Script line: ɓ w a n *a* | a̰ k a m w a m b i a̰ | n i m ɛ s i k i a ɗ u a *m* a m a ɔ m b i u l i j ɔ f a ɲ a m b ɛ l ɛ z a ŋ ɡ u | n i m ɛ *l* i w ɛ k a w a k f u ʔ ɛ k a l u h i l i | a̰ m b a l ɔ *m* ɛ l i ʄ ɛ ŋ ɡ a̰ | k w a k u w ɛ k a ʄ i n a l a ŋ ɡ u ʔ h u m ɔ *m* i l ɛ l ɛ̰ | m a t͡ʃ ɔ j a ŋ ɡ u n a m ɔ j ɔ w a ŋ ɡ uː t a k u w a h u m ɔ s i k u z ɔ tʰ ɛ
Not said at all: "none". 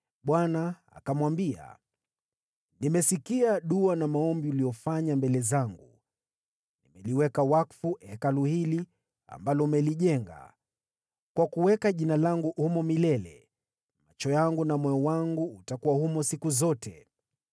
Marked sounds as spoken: a, n, l, m, m

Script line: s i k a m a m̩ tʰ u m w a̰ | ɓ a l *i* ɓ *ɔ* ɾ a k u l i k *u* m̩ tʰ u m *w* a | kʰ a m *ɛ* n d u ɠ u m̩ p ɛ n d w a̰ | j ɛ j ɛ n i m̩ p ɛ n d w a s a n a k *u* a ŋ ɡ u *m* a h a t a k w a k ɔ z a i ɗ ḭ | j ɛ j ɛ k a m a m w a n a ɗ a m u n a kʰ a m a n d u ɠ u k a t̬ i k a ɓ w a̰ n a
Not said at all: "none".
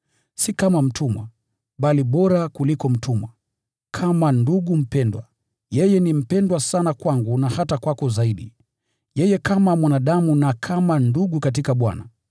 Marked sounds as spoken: i, ɔ, ɔ, w, a, w, n

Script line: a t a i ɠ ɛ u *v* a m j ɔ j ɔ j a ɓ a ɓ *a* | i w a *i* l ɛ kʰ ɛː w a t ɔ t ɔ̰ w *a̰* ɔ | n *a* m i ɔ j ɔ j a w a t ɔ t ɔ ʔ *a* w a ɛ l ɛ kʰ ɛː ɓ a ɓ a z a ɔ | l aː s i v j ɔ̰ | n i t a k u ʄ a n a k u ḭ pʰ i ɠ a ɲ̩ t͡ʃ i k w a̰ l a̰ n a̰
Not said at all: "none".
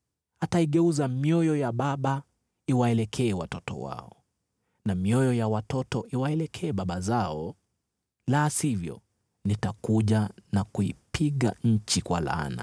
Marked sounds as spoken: z, a, ɛ, a̰, a, i

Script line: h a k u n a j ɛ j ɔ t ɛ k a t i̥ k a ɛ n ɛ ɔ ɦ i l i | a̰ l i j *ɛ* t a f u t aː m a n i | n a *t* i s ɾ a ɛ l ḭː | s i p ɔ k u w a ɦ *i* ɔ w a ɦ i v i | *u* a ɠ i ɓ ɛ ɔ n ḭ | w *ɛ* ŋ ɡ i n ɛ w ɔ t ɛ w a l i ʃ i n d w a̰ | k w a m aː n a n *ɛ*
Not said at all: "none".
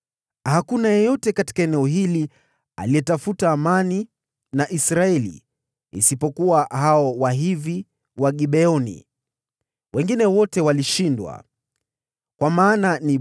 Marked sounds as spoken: ɛ, ʔ, a, w, ɛ, i

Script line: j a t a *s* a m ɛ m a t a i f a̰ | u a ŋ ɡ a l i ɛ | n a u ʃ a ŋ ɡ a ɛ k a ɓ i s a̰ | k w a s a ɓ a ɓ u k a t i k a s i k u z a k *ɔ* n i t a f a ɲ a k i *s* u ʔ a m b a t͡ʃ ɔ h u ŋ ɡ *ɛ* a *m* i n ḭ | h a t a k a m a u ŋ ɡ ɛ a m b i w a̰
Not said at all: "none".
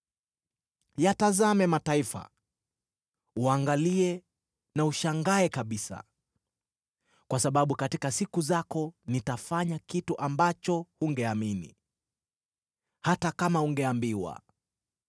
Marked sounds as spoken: z, ɔ, t, ɛ, m

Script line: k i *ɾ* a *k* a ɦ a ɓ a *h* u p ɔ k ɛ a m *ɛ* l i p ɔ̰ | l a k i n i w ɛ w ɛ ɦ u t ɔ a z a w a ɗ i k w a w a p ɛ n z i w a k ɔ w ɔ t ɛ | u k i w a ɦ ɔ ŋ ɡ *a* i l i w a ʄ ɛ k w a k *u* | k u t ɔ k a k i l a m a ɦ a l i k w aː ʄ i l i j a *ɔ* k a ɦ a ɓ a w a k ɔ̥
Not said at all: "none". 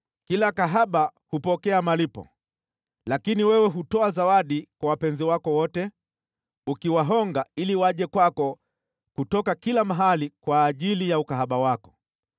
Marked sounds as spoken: l, k, h, a, a, ɔ, u

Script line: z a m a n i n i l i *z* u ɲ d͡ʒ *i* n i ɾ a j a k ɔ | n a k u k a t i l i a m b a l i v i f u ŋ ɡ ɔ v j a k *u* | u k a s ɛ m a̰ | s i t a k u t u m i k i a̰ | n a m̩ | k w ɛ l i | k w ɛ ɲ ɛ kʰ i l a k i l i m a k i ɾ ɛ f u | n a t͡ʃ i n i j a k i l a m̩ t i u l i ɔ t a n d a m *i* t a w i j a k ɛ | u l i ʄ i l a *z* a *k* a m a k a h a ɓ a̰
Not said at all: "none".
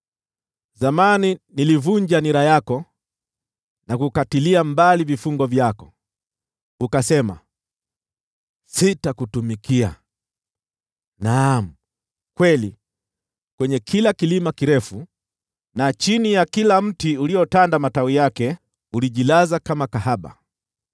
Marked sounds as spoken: v, a, ɔ, a, z, k

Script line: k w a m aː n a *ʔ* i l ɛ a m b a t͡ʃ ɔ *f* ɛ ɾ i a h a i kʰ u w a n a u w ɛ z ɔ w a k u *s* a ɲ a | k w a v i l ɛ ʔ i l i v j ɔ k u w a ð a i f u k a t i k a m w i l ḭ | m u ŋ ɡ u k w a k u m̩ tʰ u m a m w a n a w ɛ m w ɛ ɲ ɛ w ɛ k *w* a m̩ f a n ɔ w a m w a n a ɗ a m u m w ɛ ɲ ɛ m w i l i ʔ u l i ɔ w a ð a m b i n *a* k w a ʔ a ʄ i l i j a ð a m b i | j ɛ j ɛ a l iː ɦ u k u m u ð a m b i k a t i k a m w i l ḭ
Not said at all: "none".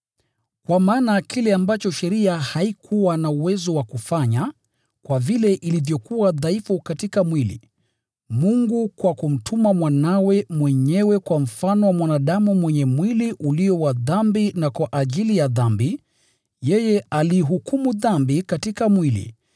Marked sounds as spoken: k, ʃ, f, w, a

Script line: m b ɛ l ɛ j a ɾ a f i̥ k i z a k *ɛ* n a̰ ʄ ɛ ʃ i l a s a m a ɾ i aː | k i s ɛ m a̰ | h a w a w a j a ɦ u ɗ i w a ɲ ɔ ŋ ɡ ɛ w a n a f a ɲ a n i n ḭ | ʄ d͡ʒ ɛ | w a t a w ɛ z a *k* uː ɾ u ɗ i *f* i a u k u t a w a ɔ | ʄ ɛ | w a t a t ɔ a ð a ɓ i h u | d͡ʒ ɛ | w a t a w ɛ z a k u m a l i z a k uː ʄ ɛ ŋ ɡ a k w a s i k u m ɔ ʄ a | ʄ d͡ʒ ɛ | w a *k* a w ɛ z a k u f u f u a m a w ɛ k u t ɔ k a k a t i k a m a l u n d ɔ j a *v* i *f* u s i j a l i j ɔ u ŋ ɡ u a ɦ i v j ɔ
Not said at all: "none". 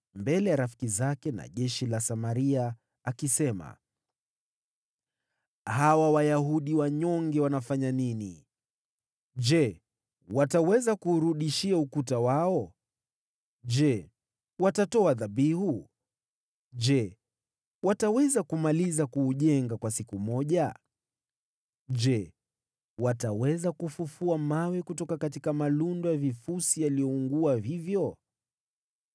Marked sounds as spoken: ɛ, k, ʃ, t, v, f

